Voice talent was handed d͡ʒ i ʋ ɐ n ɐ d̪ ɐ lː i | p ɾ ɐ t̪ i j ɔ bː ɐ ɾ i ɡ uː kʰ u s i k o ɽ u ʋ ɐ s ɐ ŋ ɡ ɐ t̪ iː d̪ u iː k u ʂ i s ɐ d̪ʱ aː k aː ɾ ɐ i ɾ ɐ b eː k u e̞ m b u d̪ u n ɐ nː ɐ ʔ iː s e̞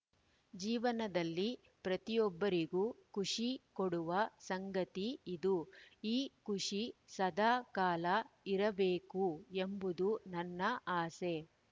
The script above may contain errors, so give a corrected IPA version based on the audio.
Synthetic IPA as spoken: d͡ʒ iː ʋ ɐ n ɐ d̪ ɐ lː i | p ɾ ɐ t̪ i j ɔ bː ɐ ɾ i ɡ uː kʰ u ʂ i k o ɽ u ʋ ɐ s ɐ ŋ ɡ ɐ t̪ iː d̪ u iː k u ʂ i s ɐ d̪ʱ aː k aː l ɐ i ɾ ɐ b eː k u e̞ m b u d̪ u n ɐ nː ɐ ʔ aː s e̞